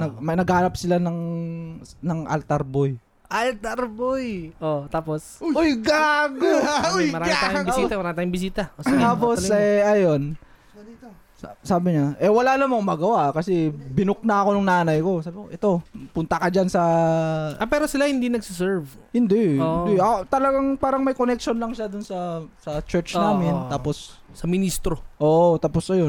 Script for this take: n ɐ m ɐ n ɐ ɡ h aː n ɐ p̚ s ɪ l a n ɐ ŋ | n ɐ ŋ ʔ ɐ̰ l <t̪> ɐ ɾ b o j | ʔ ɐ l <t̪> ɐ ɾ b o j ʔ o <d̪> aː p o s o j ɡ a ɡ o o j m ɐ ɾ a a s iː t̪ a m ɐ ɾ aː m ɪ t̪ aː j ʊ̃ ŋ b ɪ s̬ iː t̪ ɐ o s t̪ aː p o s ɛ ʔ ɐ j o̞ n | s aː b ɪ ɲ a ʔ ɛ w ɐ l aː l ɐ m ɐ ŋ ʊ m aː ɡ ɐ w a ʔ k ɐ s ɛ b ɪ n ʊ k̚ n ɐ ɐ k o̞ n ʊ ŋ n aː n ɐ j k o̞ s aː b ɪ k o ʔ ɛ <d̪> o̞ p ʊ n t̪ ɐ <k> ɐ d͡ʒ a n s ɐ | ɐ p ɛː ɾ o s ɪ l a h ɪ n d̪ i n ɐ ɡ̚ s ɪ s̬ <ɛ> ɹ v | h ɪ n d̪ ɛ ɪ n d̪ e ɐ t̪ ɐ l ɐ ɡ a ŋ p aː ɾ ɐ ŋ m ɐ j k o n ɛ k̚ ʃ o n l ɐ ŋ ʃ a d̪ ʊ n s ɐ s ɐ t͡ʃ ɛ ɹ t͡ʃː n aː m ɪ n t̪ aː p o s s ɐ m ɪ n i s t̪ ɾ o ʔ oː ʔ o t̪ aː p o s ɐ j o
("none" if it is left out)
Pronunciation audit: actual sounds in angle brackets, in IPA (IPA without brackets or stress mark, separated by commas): t̪, t̪, t̪, t̪, k, ɛ